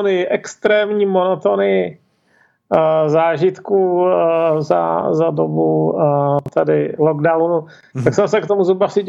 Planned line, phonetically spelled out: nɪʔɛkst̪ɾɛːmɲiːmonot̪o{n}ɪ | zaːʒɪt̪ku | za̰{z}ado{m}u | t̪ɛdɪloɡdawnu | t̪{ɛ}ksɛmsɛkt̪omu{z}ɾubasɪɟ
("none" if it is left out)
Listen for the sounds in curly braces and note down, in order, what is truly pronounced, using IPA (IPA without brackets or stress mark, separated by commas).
n, z, b, a, z